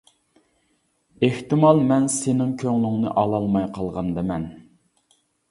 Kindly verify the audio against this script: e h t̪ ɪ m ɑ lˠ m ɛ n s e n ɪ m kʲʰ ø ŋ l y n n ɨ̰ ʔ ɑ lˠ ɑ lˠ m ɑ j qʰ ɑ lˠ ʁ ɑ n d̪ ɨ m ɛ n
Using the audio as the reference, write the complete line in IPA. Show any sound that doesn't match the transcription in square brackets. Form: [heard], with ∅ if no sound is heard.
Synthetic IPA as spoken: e h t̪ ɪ m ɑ lˠ m ɛ n s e n ɪ [ŋ] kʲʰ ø ŋ l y [ŋ] n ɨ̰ ʔ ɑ lˠ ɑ lˠ m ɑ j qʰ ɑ lˠ ʁ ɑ n d̪ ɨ m ɛ n